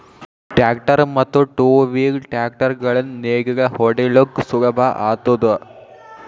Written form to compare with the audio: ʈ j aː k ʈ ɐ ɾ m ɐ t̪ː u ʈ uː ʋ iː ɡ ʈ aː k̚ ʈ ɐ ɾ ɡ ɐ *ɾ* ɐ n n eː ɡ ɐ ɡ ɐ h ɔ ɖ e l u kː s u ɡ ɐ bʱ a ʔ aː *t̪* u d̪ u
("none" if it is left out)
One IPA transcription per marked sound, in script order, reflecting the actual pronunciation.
ɭ, t̪

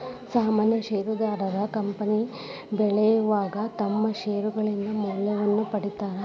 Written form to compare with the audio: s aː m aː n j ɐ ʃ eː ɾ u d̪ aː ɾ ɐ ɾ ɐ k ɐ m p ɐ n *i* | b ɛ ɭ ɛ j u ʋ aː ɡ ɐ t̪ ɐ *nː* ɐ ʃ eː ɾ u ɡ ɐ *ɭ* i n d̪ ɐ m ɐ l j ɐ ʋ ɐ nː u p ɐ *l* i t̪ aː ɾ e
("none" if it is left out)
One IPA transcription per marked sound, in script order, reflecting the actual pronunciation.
i, mː, ɭ, ɽ

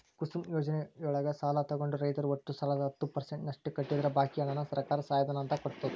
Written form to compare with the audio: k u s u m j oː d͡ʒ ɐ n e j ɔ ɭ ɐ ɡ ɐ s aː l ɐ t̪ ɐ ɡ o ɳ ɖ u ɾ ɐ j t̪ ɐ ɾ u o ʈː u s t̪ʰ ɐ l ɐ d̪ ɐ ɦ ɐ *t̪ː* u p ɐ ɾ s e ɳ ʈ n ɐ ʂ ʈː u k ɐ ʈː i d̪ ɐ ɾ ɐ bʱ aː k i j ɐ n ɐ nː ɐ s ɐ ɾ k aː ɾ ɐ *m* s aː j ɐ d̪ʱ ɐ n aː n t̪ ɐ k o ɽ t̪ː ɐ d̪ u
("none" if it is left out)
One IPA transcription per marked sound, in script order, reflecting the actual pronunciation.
t̪ː, none

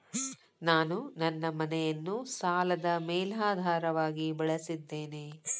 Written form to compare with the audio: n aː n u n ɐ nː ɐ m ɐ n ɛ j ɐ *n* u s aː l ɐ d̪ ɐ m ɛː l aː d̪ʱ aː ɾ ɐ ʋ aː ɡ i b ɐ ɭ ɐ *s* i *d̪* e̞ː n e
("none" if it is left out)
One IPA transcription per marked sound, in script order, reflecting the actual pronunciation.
nː, s, d̪ː

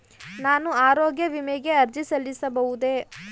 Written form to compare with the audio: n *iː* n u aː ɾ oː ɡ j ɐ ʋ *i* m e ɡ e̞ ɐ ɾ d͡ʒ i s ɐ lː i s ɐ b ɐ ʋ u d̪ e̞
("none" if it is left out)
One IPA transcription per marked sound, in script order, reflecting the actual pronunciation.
aː, i

